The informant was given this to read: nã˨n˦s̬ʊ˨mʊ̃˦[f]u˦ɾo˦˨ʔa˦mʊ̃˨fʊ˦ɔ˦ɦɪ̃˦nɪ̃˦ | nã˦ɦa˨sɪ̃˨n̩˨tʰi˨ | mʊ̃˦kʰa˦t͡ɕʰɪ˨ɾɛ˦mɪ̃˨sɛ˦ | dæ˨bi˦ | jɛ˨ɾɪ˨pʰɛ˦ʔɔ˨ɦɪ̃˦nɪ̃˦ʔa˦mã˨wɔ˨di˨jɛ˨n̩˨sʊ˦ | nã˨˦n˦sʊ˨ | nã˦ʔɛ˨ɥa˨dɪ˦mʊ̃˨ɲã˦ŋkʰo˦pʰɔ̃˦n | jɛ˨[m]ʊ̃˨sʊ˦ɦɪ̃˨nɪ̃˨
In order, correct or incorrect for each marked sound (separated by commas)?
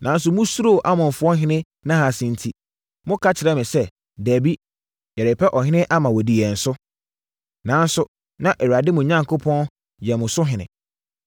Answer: incorrect, correct